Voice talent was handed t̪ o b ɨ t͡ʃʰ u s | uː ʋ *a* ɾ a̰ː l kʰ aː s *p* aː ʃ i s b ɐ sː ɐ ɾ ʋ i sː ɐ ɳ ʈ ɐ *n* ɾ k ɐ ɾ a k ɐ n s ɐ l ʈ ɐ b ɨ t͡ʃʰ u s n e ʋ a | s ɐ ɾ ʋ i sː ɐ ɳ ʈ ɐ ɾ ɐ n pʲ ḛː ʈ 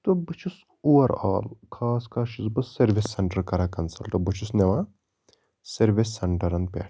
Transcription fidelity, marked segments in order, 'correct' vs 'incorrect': incorrect: ɐ, incorrect: k, incorrect: none

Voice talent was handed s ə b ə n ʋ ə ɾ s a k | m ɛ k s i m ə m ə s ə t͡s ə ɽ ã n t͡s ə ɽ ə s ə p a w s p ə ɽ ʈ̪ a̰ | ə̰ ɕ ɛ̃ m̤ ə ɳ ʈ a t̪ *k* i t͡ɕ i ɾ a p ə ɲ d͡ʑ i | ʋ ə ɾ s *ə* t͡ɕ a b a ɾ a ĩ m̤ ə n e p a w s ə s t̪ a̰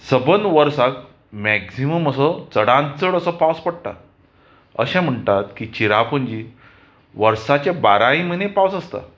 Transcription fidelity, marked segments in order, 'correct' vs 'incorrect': correct, incorrect: a

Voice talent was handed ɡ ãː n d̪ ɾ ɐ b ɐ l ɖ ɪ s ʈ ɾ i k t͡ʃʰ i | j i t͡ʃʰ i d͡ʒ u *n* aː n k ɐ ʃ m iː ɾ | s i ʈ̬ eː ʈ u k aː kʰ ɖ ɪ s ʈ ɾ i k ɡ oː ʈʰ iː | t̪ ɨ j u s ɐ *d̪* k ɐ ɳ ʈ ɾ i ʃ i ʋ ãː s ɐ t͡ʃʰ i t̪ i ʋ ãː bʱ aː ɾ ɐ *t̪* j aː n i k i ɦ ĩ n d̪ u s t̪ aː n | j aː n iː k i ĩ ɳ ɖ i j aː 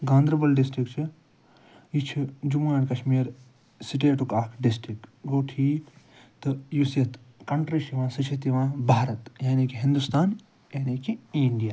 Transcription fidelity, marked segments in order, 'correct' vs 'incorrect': incorrect: m, incorrect: t̪, correct

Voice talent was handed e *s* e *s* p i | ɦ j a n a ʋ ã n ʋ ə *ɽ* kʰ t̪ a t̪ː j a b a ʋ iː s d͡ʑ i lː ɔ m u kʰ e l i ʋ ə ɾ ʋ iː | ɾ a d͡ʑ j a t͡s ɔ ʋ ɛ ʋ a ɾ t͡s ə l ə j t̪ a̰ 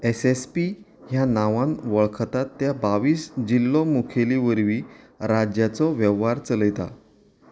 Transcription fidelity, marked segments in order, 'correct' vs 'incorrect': correct, correct, incorrect: ɭ

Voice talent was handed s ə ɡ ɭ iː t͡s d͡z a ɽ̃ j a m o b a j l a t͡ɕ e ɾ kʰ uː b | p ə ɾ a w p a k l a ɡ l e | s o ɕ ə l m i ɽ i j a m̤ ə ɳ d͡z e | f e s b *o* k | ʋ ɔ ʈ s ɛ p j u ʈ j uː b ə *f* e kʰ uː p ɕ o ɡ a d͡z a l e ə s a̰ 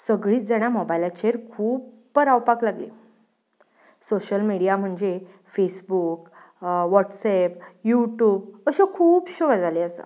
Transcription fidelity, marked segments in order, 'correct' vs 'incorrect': incorrect: u, incorrect: ɕ

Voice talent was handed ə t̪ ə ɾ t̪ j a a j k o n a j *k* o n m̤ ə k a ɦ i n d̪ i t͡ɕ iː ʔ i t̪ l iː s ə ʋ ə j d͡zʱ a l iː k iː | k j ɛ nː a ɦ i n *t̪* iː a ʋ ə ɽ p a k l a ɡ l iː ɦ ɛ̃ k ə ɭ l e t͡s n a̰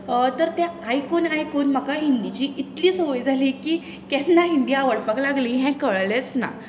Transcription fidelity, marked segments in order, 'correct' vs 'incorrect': correct, incorrect: d̪

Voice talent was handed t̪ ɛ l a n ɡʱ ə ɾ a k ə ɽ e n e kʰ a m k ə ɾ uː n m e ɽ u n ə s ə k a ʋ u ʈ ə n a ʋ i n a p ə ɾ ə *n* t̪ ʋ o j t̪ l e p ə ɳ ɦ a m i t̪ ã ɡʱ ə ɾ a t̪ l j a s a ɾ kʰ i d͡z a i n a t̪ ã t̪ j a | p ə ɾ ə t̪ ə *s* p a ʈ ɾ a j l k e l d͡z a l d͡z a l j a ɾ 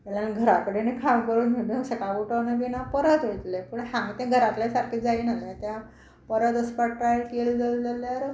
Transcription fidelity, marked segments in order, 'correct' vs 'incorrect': incorrect: none, correct

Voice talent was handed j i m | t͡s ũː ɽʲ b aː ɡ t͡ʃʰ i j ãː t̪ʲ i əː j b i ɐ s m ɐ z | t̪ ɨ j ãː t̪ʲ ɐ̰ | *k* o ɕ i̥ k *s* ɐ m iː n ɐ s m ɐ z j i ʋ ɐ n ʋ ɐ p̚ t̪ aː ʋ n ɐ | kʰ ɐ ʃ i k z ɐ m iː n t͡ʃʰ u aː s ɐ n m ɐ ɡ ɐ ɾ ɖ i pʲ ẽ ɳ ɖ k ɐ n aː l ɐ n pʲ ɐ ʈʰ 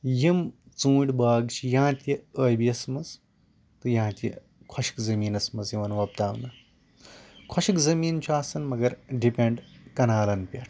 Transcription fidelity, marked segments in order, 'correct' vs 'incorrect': incorrect: kʰ, incorrect: z

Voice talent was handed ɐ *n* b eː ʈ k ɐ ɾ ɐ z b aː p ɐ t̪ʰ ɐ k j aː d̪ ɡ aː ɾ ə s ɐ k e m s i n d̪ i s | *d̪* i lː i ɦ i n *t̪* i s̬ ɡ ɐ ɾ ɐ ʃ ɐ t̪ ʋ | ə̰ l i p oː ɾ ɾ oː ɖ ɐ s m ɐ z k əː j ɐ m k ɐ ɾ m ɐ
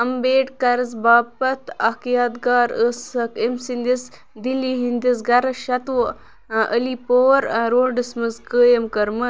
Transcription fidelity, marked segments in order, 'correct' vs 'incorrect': incorrect: m, correct, incorrect: d̪

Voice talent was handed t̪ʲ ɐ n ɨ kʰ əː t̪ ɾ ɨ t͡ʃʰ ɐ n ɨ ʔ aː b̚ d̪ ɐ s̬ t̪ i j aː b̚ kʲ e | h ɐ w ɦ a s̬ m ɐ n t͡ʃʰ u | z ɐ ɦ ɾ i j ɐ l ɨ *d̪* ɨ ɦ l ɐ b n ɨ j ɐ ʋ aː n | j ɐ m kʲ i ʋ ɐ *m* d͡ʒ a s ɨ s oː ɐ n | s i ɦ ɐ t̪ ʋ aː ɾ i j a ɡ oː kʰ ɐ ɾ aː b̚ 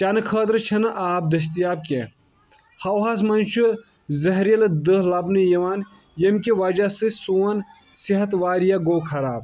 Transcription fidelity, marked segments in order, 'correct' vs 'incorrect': correct, incorrect: none

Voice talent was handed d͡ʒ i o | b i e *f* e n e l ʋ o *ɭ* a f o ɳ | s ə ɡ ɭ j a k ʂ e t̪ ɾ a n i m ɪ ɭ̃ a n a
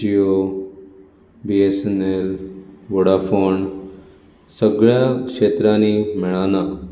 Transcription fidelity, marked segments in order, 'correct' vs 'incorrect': incorrect: s, incorrect: ɽ

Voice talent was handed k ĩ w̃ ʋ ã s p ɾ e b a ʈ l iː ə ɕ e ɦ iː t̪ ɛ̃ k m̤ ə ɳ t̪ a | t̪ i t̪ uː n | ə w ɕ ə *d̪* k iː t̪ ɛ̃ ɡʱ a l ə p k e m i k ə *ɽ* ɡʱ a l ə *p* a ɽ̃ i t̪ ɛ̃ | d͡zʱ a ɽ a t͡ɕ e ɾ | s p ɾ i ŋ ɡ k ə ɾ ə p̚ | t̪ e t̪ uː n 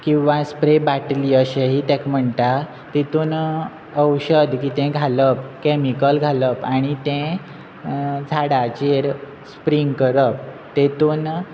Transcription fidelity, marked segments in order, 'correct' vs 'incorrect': correct, incorrect: l, correct

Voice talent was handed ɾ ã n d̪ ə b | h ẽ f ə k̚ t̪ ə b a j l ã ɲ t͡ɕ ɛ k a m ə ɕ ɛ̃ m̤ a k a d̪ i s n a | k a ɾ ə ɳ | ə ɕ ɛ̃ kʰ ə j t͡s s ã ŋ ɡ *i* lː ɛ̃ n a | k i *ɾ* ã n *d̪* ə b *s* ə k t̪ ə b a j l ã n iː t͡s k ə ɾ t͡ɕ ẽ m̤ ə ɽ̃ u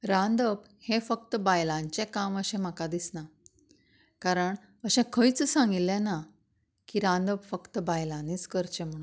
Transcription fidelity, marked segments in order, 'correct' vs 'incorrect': correct, correct, correct, incorrect: f

